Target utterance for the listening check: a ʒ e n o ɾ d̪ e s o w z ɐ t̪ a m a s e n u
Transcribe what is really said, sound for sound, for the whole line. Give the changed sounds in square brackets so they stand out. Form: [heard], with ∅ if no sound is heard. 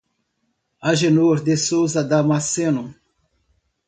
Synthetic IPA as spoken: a ʒ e n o ɾ d̪ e s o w z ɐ [d̪] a m a s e n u